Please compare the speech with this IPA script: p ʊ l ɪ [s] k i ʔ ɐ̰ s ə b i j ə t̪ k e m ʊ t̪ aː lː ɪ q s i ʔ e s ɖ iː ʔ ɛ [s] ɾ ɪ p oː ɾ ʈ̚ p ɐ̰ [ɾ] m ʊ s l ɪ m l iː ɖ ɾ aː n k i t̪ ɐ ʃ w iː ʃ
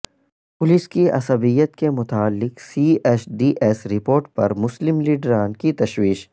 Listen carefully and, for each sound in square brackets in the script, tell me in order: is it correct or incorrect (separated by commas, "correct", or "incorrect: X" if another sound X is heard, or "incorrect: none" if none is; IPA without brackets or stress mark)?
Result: correct, correct, correct